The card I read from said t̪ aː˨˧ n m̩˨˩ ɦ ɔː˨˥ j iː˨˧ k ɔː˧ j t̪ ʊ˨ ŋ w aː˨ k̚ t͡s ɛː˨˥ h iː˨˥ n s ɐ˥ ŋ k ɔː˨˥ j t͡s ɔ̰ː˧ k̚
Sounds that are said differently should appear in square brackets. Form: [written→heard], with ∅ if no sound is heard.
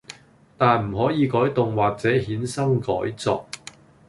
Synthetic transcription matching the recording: t̪ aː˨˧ n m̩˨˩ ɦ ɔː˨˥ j iː˨˧ k [ɔː˧→ɔː˨˥] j t̪ ʊ˨ ŋ w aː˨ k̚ t͡s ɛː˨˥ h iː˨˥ n s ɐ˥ ŋ k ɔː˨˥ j t͡s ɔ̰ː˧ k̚